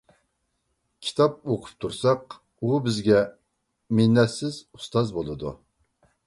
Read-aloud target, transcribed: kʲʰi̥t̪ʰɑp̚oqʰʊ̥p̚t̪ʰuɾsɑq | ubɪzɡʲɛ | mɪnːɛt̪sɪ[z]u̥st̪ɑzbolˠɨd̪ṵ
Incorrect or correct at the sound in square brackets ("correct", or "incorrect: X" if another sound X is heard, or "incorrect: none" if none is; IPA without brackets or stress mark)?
correct